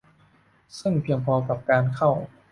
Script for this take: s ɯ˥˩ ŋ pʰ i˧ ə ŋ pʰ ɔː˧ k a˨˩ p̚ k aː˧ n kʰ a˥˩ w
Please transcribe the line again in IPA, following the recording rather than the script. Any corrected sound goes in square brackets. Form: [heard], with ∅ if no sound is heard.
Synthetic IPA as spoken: s ɯ˥˩ ŋ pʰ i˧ ə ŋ pʰ ɔː˧ k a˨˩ p̚ k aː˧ n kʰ a˥˩ w